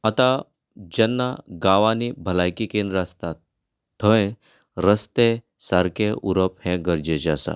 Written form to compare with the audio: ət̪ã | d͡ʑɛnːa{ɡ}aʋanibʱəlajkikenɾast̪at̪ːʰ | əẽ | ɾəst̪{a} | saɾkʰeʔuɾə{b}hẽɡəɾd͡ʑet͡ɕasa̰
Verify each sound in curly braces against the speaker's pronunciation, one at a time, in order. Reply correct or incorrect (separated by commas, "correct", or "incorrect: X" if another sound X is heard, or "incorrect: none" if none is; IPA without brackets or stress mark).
correct, incorrect: e, incorrect: p